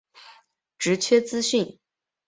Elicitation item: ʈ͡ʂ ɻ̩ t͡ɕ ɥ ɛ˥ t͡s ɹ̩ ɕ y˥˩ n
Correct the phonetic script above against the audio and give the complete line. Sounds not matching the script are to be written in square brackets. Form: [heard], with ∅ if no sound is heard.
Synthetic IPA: ʈ͡ʂ ɻ̩ [t͡ɕʰ] ɥ ɛ˥ t͡s ɹ̩ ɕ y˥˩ n